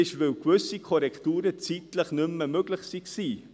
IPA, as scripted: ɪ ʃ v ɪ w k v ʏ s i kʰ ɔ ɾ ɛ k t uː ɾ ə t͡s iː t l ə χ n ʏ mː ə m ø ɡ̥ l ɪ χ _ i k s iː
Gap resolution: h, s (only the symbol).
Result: s